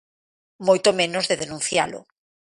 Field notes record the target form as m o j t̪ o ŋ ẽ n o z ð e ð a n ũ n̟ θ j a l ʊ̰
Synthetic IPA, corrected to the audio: m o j t̪ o m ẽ n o z ð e ð e n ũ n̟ θ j a l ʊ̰